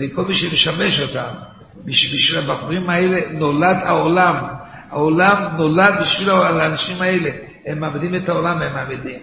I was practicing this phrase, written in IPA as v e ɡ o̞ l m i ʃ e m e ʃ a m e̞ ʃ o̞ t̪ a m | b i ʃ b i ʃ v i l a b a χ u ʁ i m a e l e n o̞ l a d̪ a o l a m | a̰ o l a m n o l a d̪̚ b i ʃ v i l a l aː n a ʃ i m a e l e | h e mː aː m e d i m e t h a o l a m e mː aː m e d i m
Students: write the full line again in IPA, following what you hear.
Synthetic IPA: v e k o̞ l m i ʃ e m e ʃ a m e̞ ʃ o̞ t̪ a m | b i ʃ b i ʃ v i l a b a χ u ʁ i m a e l e n o̞ l a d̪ a o l a m | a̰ o l a m n o l a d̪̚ b i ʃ v i l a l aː n a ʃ i m a e l e | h e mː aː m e d i m e t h a o l a m e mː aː m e d i m